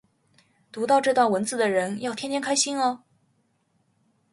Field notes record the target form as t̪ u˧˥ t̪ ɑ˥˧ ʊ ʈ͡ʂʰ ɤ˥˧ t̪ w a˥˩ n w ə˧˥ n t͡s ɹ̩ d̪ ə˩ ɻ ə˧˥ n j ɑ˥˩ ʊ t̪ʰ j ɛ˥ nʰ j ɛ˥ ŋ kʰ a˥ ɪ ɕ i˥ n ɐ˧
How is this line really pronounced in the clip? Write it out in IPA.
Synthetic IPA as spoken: t̪ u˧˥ t̪ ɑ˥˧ ʊ ʈ͡ʂ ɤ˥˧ t̪ w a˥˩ n w ə˧˥ n t͡s ɹ̩ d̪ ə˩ ɻ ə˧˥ n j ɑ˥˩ ʊ t̪ʰ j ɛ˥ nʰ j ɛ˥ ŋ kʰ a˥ ɪ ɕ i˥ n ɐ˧

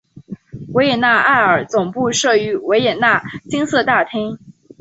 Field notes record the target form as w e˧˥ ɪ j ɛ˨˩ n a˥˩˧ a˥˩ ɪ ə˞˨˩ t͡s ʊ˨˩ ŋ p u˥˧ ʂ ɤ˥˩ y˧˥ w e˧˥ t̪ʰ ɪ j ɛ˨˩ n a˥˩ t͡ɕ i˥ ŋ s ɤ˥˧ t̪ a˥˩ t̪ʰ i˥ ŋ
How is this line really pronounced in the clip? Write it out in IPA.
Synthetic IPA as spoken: w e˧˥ ɪ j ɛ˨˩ n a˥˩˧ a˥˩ ɪ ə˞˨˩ t͡s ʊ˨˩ ŋ p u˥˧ ʂ ɤ˥˩ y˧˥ w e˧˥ ɪ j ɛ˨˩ n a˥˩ t͡ɕ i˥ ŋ s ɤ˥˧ t̪ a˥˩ t̪ʰ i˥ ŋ

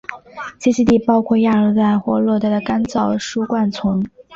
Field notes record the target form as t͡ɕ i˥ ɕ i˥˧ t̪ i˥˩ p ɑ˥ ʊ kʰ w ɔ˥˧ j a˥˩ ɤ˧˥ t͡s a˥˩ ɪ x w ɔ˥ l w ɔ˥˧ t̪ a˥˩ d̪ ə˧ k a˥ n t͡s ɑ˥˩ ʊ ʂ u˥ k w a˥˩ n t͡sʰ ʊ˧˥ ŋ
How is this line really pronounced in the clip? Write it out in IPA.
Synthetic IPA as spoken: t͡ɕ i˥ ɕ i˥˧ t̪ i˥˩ p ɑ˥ ʊ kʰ w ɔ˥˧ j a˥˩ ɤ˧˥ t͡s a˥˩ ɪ x w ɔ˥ l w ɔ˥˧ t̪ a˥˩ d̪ ə˩ k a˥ n t͡s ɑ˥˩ ʊ ʂ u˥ k w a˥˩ n t͡sʰ ʊ˧˥ ŋ

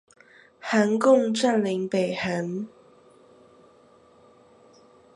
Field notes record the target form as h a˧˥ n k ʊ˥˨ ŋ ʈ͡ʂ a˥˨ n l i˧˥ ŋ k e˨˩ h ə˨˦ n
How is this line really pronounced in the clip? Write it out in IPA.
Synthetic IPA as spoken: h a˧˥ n k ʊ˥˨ ŋ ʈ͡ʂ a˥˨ n l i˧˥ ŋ p e˨˩ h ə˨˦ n

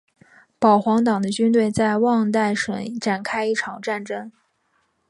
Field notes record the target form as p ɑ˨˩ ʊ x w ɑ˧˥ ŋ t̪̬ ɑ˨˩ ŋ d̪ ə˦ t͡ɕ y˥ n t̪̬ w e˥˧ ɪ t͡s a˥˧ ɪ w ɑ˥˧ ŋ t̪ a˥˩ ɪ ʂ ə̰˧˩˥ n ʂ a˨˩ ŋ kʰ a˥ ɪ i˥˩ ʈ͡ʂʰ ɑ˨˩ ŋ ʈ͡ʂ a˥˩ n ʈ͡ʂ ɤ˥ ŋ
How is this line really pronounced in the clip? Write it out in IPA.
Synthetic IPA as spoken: p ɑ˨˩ ʊ x w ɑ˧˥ ŋ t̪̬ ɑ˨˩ ŋ d̪ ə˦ t͡ɕ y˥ n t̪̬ w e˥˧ ɪ t͡s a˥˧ ɪ w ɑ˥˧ ŋ t̪ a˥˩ ɪ ʂ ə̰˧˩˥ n ʈ͡ʂ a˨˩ n kʰ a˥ ɪ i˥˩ ʈ͡ʂʰ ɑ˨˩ ŋ ʈ͡ʂ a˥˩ n ʈ͡ʂ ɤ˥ ŋ

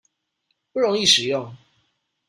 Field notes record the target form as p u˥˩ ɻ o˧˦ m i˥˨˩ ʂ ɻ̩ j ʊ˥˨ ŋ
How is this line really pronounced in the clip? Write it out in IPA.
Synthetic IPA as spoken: p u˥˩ ɻ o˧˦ ŋ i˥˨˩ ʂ ɻ̩ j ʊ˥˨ ŋ

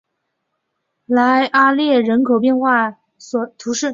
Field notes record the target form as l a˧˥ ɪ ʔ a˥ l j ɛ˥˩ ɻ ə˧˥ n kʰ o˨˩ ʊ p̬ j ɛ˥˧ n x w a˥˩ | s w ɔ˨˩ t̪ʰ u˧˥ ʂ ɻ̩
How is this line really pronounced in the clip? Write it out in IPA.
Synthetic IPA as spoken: l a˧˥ ɪ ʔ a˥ l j ɛ˥˩ ɻ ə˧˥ n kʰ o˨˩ ʊ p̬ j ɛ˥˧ n x w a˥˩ | s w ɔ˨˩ t̪ʰ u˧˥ ʂ ɻ̩

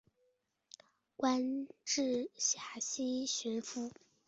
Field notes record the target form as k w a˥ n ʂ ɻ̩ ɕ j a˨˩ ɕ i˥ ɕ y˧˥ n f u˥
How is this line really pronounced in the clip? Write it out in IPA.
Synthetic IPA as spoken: k w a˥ n ʈ͡ʂ ɻ̩ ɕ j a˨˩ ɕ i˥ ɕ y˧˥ n f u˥

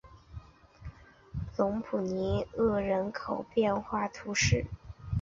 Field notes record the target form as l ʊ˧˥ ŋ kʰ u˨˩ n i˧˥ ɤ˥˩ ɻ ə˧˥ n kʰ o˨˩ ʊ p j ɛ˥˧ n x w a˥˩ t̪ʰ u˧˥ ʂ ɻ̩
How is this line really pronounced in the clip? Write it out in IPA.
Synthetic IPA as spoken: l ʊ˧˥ ŋ pʰ u˨˩ n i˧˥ ɤ˥˩ ɻ ə˧˥ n kʰ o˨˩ ʊ p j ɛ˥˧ n x w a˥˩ t̪ʰ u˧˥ ʂ ɻ̩

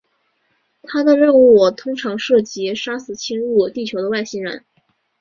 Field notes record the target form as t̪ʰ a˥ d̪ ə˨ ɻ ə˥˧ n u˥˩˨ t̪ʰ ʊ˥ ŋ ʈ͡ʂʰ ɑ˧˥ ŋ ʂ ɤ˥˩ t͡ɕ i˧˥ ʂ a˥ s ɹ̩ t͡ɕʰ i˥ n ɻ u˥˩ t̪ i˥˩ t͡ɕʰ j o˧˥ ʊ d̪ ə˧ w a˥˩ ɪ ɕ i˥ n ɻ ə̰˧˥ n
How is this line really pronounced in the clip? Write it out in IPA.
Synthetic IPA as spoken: t̪ʰ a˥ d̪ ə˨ ɻ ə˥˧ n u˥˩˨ t̪ʰ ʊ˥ ŋ ʈ͡ʂʰ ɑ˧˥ ŋ ʂ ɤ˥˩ t͡ɕ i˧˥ ʂ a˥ s ɹ̩ t͡ɕʰ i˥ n ɻ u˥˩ t̪ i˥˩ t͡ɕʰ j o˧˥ ʊ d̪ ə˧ w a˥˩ ɪ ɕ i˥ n ɻ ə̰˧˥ n

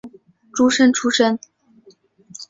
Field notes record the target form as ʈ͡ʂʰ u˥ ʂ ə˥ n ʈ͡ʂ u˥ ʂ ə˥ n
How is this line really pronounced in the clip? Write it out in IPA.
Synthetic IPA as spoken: ʈ͡ʂ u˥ ʂ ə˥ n ʈ͡ʂʰ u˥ ʂ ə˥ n

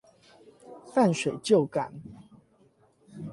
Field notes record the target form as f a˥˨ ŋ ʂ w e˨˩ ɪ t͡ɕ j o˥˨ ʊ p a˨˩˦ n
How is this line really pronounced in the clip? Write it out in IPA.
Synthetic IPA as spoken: f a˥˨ n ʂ w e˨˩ ɪ t͡ɕ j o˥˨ ʊ k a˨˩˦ n

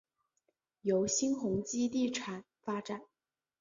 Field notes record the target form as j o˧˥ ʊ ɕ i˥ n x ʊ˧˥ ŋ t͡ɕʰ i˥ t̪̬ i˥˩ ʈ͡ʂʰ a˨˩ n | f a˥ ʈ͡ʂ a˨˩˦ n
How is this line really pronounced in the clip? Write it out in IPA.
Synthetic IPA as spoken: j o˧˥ ʊ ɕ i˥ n x ʊ˧˥ ŋ t͡ɕ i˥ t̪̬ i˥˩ ʈ͡ʂʰ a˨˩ n | f a˥ ʈ͡ʂ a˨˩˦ n

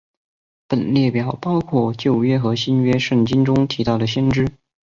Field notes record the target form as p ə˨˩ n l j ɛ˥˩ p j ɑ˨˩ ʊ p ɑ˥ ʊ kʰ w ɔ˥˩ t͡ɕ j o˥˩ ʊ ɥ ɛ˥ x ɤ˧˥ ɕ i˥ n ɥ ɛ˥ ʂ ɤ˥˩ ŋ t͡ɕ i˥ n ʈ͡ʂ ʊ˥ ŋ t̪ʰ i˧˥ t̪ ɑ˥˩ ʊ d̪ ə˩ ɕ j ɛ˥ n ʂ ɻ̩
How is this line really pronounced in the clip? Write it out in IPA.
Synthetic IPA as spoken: p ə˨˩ n l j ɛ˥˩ p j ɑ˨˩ ʊ p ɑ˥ ʊ kʰ w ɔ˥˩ t͡ɕ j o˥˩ ʊ ɥ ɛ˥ x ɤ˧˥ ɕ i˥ n ɥ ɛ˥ ʂ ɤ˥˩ ŋ t͡ɕ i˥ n ʈ͡ʂ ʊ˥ ŋ t̪ʰ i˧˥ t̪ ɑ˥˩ ʊ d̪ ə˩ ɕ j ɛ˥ n ʈ͡ʂ ɻ̩

